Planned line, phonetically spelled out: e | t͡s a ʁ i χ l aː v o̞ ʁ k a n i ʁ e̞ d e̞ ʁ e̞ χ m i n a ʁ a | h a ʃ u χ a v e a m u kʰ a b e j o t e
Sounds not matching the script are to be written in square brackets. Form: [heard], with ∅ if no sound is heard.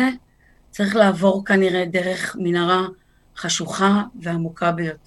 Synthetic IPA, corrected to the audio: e | t͡s a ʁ i χ l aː v o̞ ʁ k a n i ʁ e̞ d e̞ ʁ e̞ χ m i n a ʁ a | [χ] a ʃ u χ a v e a m u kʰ a b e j o t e